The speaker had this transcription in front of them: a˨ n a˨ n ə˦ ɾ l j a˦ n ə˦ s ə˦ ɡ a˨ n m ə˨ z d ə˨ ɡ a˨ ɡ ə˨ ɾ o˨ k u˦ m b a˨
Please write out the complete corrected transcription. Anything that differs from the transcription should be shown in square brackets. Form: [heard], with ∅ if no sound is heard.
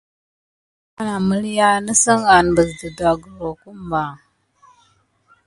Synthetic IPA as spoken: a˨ n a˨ [m] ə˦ [∅] l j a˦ n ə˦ s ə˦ [ŋ] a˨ n [b] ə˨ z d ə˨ [d] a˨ ɡ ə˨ ɾ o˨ k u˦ m b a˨